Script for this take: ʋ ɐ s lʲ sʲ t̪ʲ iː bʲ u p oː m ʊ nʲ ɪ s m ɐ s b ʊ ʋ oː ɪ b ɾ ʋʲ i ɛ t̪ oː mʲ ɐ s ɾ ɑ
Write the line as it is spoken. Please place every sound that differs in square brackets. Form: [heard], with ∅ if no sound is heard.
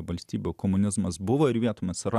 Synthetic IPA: ʋ ɐ [∅] lʲ sʲ t̪ʲ iː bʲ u [k] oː m ʊ nʲ ɪ [z] m ɐ s b ʊ ʋ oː ɪ [∅] ɾ ʋʲ i ɛ t̪ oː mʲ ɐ s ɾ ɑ